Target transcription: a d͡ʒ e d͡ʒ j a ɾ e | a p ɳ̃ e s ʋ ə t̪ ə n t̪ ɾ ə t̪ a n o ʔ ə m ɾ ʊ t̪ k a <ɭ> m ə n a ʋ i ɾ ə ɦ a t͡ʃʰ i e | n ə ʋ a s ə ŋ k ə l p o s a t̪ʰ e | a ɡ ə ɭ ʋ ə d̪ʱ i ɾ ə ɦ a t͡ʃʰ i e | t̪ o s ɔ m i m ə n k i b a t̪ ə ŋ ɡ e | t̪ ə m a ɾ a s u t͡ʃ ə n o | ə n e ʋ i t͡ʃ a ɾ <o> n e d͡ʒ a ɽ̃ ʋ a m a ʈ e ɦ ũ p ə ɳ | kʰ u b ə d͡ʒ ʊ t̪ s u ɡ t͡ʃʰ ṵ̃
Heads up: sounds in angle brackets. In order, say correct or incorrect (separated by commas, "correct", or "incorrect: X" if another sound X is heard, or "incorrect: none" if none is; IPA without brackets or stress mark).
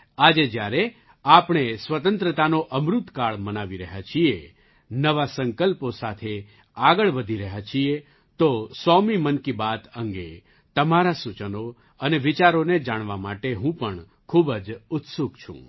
correct, correct